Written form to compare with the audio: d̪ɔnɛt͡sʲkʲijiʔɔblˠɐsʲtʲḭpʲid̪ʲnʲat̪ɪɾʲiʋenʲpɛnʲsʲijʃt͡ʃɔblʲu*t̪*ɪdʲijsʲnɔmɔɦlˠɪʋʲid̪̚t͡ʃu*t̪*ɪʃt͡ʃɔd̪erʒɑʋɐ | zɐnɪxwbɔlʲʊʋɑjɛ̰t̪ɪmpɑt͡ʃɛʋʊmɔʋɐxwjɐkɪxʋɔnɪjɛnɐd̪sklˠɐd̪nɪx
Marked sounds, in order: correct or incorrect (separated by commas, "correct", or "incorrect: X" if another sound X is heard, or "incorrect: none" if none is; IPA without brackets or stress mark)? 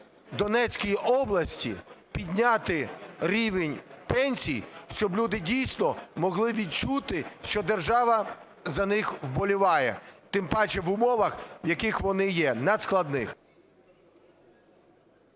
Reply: incorrect: d̪, correct